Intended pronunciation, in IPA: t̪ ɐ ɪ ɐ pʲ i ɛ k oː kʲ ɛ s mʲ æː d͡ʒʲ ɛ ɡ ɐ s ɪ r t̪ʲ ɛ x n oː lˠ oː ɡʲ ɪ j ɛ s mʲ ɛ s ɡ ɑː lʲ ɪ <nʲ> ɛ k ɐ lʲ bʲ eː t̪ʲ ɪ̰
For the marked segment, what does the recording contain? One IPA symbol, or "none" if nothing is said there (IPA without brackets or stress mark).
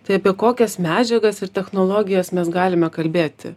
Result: mʲ